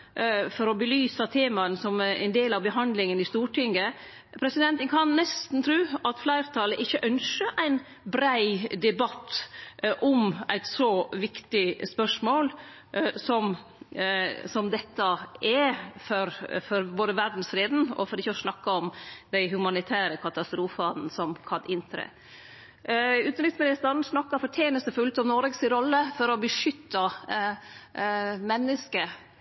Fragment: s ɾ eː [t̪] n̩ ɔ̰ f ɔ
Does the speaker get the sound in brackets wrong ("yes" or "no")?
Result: yes